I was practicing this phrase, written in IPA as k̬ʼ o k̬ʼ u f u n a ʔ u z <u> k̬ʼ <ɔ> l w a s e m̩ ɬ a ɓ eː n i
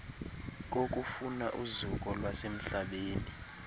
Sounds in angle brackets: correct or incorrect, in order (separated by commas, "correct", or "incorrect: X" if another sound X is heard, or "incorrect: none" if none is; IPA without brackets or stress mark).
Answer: correct, correct